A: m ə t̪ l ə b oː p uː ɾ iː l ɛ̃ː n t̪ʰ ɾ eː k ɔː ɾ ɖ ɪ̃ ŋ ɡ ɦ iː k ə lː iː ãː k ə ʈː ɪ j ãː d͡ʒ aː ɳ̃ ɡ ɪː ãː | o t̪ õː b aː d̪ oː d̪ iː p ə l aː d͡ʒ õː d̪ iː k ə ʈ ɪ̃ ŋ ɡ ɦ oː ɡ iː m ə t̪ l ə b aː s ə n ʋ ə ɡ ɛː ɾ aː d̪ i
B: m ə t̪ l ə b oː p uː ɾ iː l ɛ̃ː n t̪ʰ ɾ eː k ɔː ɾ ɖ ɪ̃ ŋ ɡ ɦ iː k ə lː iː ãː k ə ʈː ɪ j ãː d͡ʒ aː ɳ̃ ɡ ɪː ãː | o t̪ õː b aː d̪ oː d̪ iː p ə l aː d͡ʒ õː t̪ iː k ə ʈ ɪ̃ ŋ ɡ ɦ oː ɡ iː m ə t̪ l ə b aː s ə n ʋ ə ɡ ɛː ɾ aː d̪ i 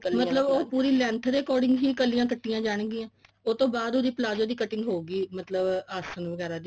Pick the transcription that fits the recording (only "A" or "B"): A